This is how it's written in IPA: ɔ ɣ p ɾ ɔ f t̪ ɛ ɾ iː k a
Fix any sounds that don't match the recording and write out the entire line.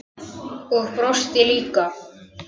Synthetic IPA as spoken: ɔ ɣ p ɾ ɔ s t̪ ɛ l iː k a